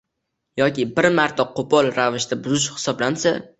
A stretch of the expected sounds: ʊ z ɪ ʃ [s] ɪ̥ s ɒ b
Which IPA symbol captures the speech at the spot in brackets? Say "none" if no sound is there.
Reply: h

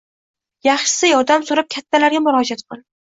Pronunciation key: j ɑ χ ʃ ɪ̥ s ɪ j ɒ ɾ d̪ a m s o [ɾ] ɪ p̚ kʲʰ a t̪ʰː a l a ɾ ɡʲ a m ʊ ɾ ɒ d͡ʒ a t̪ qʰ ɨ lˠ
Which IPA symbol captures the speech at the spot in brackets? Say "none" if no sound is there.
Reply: ɾ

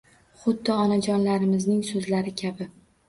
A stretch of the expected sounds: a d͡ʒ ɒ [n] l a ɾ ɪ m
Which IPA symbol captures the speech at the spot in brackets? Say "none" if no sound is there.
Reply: n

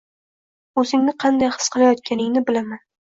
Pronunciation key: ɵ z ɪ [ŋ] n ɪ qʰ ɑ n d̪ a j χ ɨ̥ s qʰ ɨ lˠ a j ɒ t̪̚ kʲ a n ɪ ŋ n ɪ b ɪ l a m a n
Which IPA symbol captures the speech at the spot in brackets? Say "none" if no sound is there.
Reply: ŋ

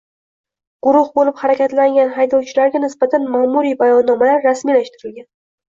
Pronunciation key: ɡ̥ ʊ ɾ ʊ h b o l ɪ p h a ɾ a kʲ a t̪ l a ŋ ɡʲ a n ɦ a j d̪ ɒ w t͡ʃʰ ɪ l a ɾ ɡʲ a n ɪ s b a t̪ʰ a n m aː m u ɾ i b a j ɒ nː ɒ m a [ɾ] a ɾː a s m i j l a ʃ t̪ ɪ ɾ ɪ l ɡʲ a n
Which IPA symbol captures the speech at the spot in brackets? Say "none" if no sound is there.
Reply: l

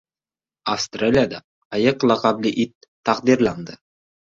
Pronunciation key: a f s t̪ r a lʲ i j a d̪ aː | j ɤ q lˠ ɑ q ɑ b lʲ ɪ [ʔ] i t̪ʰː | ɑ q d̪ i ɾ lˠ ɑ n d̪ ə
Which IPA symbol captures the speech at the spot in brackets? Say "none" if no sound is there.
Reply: ʔ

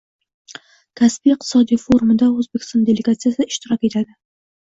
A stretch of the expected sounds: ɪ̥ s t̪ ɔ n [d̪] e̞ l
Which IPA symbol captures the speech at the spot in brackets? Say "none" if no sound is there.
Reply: d̪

